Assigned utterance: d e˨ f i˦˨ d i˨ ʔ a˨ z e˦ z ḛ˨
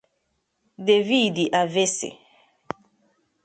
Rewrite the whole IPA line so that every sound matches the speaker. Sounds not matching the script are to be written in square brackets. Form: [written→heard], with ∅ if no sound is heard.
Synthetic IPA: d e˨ [f→v] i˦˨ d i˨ ʔ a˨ [z→v] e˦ [z→s] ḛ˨